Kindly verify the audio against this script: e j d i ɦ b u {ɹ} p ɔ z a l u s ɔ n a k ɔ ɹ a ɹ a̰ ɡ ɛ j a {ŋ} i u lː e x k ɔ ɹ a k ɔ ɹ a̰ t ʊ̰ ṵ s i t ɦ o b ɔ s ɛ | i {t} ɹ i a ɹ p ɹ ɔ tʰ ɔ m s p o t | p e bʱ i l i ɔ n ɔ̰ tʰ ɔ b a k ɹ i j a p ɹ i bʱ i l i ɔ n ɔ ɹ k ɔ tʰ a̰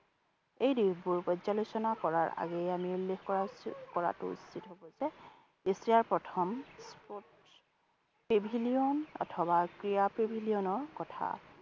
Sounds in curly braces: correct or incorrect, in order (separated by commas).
correct, incorrect, incorrect